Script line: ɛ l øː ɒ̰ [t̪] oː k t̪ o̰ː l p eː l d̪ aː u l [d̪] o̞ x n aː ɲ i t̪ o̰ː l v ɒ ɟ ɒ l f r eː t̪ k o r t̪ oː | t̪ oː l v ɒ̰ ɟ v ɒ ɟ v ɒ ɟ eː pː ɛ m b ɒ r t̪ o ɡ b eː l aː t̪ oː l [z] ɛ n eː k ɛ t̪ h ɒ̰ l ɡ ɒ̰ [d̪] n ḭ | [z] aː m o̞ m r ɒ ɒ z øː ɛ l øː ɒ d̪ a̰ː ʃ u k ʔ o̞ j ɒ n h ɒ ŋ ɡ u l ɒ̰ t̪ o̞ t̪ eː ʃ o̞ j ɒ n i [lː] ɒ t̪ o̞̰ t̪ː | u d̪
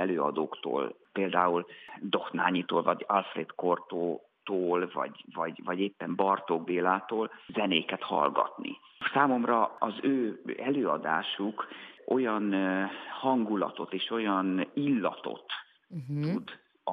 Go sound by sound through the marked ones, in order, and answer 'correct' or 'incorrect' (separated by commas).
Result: incorrect, correct, correct, incorrect, incorrect, correct